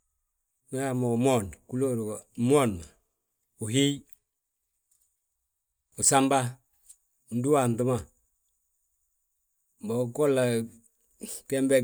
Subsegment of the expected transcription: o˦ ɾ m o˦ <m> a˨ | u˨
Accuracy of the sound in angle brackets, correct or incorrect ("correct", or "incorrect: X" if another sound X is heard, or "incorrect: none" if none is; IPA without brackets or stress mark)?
incorrect: n